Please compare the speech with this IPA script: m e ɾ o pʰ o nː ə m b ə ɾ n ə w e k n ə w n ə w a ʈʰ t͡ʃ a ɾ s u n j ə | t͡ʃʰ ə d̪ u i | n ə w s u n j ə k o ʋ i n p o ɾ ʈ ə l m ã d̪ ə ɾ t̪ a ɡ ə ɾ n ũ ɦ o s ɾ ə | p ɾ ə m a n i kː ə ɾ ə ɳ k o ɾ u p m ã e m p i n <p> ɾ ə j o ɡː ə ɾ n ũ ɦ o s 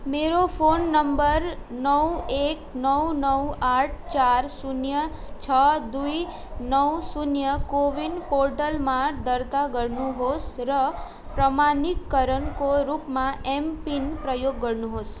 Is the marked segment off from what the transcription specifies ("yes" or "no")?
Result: no